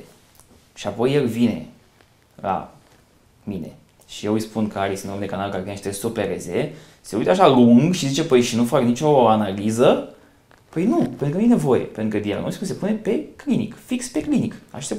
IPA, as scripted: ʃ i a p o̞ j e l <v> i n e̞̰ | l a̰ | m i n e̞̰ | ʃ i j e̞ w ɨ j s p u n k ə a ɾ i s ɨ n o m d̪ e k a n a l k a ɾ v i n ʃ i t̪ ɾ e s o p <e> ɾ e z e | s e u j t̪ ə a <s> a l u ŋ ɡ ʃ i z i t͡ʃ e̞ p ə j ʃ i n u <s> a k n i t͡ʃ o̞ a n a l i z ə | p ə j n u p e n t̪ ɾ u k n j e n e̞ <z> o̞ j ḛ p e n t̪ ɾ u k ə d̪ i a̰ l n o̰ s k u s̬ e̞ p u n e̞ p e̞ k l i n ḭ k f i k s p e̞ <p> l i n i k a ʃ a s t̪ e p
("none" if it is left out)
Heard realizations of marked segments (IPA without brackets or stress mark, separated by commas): v, e, ʃ, f, v, k